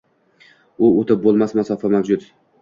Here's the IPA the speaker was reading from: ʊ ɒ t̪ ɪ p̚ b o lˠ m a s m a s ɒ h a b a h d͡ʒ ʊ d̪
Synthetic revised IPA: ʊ o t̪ ɪ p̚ b o lˠ m a s m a s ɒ f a m a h d͡ʒ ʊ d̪